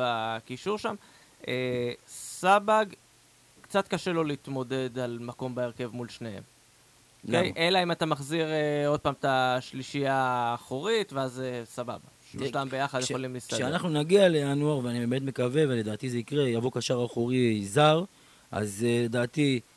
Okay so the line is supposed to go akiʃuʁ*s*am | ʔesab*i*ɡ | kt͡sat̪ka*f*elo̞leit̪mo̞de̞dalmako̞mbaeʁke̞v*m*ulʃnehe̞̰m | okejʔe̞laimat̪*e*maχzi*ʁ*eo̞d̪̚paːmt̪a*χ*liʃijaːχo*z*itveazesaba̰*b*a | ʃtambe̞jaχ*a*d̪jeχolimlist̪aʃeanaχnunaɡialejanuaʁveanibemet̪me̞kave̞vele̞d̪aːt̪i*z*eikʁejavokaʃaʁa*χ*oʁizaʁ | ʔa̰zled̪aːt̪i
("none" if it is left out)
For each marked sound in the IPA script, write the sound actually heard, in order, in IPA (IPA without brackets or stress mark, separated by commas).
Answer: ʃ, a, ʃ, m, a, ʁ, ʃ, ʁ, b, a, z, χ